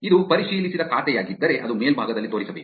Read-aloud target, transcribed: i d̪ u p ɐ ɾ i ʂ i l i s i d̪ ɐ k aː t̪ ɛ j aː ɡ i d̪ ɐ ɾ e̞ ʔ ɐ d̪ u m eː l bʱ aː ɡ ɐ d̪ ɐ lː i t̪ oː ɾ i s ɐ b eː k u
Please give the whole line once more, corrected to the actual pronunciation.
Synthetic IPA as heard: i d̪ u p ɐ ɾ i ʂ iː l i s i d̪ ɐ k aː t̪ ɛ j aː ɡ i d̪ː ɐ ɾ e̞ ʔ ɐ d̪ u m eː l bʱ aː ɡ ɐ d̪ ɐ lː i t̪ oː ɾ i s ɐ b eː k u